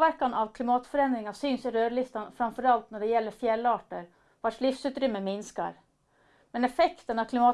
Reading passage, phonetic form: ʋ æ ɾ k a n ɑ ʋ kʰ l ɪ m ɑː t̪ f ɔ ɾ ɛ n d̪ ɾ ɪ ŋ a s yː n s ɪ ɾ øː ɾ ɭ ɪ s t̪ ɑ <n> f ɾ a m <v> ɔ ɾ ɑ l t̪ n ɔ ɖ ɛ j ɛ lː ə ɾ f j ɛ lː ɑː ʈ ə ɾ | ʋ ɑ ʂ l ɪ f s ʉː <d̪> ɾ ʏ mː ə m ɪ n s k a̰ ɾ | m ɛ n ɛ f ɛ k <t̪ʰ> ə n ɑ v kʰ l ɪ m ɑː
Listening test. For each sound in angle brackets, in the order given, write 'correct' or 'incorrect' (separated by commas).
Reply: correct, incorrect, incorrect, incorrect